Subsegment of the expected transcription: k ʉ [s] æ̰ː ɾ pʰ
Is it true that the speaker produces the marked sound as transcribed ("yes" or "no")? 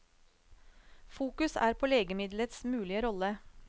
yes